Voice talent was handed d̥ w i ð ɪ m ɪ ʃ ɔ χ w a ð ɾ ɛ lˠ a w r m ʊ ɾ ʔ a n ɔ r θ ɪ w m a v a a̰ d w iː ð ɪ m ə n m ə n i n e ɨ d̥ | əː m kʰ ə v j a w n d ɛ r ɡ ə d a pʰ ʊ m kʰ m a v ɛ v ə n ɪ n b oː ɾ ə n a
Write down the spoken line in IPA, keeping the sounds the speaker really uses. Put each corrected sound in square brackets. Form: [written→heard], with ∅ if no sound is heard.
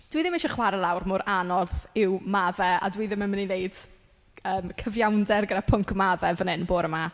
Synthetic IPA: d̥ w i ð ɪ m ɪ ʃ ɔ χ w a [ð→∅] ɾ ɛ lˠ a w r m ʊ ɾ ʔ a n ɔ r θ ɪ w m a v [a→ɛ] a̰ d w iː ð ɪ m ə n m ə n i n e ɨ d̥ | əː m kʰ ə v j a w n d ɛ r ɡ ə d a pʰ ʊ [m→ŋ] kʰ m a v ɛ v ə n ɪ n b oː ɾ ə [n→m] a